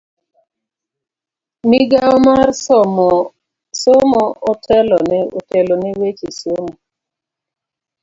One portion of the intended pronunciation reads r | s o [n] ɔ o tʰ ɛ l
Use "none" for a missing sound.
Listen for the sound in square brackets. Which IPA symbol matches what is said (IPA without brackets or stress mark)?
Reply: m